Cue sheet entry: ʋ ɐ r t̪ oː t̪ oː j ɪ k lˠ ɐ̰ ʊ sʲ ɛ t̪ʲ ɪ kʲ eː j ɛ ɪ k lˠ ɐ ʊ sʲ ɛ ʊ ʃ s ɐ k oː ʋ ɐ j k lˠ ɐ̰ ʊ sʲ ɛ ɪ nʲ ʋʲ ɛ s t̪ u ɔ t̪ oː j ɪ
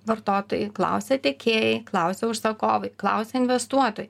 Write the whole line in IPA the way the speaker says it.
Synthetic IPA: ʋ ɐ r t̪ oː t̪ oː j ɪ k lˠ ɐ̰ ʊ sʲ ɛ t̪ʲ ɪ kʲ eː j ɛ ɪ k lˠ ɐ ʊ sʲ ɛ ʊ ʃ s ɐ k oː ʋ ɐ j k lˠ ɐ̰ ʊ sʲ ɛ ɪ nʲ ʋʲ ɛ s t̪ u ɔ t̪ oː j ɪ